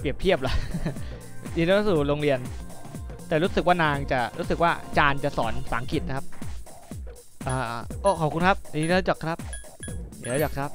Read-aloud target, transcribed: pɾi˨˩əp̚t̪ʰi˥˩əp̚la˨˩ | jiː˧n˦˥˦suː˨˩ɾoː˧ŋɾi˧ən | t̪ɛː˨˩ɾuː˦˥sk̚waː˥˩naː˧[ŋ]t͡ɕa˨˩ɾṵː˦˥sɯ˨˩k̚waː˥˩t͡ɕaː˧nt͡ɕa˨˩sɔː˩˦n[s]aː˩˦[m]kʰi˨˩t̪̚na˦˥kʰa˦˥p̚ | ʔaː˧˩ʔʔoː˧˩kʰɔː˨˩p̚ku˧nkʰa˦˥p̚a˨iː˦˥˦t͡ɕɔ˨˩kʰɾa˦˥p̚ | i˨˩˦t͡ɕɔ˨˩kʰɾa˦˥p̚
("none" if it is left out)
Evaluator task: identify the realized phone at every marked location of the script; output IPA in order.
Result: ŋ, s, ŋ

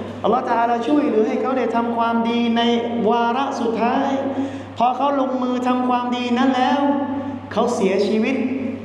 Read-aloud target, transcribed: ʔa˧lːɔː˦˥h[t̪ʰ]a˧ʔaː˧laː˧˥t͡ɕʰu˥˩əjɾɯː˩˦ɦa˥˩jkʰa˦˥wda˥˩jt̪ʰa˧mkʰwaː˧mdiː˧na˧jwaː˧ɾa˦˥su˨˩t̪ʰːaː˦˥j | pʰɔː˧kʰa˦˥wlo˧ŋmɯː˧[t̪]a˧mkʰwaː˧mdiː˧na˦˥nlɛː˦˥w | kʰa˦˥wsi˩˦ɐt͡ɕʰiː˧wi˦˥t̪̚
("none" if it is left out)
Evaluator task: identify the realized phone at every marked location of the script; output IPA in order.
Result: t̪, t̪ʰ

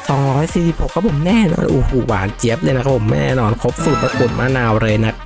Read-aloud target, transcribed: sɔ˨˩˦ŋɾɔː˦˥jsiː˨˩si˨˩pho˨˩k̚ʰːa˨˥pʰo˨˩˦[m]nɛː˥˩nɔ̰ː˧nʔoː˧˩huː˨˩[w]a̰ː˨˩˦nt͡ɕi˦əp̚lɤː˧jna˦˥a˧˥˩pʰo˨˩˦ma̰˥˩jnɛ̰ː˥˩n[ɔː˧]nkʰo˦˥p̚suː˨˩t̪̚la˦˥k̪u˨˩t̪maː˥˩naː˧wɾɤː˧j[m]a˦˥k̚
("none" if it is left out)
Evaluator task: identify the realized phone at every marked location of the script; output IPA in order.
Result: m, w, ɔː˧, n

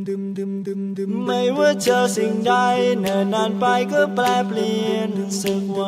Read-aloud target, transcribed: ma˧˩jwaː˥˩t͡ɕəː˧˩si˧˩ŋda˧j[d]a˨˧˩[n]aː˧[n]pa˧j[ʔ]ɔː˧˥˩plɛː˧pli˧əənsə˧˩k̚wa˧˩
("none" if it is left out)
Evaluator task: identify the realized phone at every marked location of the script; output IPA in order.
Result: n, n, n, k

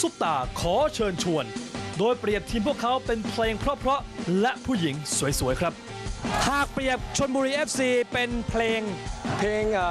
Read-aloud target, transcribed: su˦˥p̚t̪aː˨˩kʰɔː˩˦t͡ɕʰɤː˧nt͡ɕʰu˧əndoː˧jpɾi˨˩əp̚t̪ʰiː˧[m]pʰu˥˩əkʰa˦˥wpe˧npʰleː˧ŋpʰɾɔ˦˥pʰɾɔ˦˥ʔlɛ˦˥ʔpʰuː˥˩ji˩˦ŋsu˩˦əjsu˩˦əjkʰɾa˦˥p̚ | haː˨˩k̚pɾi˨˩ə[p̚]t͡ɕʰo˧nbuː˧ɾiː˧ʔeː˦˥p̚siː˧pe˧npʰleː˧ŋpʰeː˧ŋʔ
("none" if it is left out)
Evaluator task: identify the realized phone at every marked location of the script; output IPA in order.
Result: m, p̚

